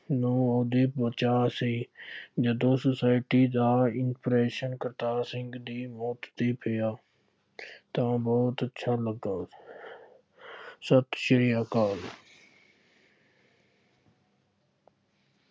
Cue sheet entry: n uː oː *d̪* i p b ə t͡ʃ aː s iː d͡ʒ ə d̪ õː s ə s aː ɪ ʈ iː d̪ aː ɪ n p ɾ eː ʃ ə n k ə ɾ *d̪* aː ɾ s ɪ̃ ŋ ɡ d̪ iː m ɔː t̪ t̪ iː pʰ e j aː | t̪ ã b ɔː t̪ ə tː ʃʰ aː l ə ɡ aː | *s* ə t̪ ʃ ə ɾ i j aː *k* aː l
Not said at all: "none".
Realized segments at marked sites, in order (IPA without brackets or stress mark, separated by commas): d̪, t̪, s, k